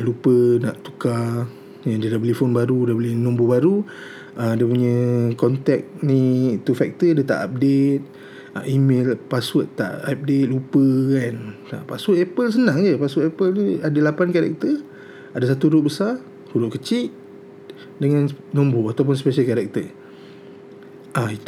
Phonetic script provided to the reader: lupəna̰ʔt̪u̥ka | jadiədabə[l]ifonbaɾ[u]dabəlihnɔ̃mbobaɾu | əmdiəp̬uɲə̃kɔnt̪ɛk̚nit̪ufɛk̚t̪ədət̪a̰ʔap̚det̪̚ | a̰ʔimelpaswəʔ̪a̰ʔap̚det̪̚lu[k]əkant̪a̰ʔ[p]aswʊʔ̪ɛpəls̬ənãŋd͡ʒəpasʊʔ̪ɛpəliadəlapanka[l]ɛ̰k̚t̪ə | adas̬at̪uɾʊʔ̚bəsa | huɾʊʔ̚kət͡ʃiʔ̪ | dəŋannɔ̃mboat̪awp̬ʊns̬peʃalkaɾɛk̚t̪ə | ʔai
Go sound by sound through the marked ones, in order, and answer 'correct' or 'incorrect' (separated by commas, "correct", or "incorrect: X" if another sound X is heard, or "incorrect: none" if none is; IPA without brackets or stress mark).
correct, correct, incorrect: p, correct, incorrect: ɾ